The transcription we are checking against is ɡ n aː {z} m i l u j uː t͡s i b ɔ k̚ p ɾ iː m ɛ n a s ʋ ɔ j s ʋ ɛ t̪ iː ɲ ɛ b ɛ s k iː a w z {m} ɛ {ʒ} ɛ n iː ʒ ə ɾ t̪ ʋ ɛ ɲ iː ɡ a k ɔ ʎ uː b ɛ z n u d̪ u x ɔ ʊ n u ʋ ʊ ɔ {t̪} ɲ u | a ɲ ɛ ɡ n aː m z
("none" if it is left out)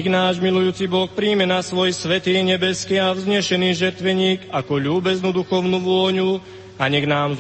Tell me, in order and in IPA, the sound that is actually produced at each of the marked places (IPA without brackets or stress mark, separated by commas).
ʒ, ɲ, ʃ, none